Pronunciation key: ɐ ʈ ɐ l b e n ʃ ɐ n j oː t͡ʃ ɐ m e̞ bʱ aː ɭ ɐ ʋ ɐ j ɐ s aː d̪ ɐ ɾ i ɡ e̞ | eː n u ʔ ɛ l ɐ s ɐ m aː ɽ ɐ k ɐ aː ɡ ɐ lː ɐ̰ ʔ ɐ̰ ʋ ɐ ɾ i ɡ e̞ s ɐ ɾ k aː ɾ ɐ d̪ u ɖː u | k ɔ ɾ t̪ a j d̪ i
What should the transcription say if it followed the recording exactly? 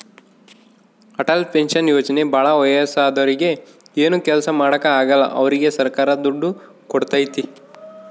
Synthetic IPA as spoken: ɐ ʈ ɐ l p e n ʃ ɐ n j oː t͡ʃ ɐ n e̞ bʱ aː ɭ ɐ ʋ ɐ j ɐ s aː d̪ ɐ ɾ i ɡ e̞ | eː n u k ɛ l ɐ s ɐ m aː ɽ ɐ k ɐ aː ɡ ɐ lː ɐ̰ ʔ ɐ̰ ʋ ɐ ɾ i ɡ e̞ s ɐ ɾ k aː ɾ ɐ d̪ u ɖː u | k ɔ ɽ t̪ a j t̪ i